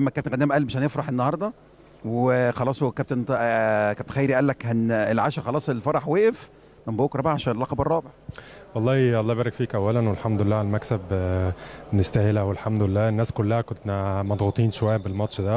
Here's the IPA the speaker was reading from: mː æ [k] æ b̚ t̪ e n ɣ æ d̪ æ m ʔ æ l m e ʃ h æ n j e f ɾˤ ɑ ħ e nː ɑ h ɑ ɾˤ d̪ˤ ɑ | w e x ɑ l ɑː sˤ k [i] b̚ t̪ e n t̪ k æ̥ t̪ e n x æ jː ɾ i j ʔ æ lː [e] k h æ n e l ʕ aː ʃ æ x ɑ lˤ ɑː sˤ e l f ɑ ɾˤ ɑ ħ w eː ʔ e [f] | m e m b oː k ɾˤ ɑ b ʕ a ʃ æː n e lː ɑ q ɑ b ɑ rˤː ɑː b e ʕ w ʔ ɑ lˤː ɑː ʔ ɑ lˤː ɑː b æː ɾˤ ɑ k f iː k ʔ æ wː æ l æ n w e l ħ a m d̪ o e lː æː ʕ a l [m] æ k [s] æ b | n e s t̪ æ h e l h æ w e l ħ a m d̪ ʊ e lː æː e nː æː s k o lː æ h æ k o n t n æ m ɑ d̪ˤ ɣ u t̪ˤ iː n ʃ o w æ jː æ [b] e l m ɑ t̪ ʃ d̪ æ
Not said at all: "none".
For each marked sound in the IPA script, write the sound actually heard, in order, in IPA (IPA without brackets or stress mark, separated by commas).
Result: k, æ, æ, f, m, s, b